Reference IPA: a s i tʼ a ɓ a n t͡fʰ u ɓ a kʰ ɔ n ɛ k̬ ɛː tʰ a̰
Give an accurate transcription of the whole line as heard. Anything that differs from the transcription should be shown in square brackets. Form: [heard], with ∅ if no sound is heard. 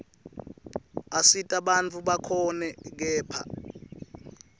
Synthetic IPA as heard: a s i tʼ a ɓ a n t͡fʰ u ɓ a kʰ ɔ n ɛ k̬ ɛː [pʰ] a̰